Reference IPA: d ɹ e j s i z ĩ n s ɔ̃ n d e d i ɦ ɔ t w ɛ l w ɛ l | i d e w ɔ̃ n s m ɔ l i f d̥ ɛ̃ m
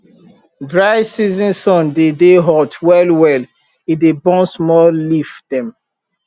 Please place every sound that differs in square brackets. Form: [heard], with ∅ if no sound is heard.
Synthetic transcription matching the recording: d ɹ [a] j s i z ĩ n s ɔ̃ n d e d [e] ɦ ɔ t w ɛ l w ɛ l | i d e [b] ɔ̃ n s m ɔ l i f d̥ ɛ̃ m